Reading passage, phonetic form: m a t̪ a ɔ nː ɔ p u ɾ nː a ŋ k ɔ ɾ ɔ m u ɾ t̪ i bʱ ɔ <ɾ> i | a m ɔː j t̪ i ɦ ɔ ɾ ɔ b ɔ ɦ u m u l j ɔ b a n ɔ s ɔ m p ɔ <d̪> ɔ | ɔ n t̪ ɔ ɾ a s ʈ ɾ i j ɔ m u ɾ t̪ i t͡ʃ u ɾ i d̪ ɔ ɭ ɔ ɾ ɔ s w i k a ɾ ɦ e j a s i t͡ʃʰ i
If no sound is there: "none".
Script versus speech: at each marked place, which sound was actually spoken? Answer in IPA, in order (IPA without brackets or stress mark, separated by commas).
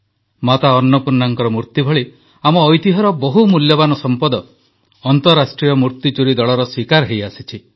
ɭ, d̪